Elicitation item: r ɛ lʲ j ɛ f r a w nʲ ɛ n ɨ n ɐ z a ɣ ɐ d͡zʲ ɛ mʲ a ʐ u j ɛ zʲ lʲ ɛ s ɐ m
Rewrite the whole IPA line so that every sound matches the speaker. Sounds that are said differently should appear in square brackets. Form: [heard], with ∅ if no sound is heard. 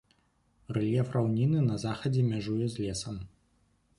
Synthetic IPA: r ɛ lʲ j ɛ f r a w nʲ [i] n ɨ n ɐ z a [x] ɐ d͡zʲ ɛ mʲ a ʐ u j ɛ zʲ lʲ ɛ s ɐ m